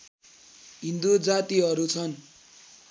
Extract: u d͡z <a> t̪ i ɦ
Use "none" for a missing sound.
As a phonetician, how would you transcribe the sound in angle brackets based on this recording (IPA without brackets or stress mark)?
a